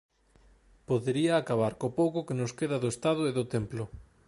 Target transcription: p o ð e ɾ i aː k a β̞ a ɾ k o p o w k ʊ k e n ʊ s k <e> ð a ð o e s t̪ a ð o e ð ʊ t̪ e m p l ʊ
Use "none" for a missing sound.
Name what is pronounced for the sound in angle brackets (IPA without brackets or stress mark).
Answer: e